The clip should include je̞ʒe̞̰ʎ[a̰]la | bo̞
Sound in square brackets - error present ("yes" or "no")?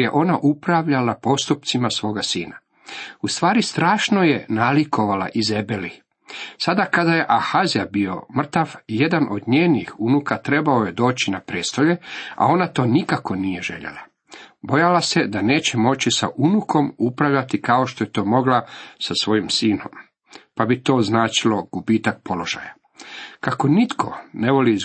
yes